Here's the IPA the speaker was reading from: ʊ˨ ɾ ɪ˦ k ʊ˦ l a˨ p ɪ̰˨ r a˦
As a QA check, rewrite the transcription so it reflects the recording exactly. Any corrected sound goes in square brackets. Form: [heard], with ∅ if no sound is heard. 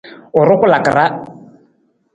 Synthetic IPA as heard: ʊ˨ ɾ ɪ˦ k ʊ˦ l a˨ [k] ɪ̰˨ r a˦